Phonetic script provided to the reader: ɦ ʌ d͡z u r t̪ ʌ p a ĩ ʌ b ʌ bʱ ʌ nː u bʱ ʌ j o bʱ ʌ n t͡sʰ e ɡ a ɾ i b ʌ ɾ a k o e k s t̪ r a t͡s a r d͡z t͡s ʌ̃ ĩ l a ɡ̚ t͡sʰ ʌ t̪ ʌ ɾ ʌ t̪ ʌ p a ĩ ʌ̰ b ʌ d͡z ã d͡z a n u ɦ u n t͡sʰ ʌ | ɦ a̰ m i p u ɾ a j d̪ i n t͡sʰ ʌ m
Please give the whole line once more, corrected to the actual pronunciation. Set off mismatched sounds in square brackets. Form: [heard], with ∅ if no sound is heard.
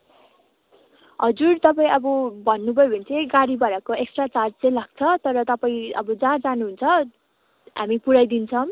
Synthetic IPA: ɦ ʌ d͡z u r t̪ ʌ p a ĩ ʌ b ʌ bʱ ʌ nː u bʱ ʌ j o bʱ ʌ n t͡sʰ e ɡ a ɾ i b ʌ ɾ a k o e k s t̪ r a t͡s a r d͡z t͡s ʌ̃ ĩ l a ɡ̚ t͡sʰ ʌ t̪ ʌ ɾ ʌ t̪ ʌ p a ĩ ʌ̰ b ʌ d͡z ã d͡z a n u ɦ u n t͡sʰ ʌ | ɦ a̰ m i p u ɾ a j d̪ i n t͡sʰ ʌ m